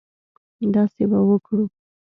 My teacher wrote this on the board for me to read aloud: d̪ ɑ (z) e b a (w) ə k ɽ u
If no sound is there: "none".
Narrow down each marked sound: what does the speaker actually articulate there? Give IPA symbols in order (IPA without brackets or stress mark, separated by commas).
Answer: s, w